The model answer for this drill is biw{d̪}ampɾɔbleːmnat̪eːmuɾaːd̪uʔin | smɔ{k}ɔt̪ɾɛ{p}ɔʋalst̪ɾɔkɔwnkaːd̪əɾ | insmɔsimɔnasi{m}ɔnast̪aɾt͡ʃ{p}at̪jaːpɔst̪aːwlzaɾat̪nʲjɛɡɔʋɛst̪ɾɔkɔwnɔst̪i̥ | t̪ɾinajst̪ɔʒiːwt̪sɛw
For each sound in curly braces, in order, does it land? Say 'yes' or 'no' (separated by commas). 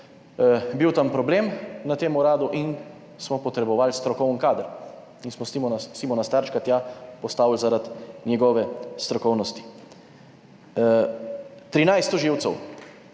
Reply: no, no, no, yes, no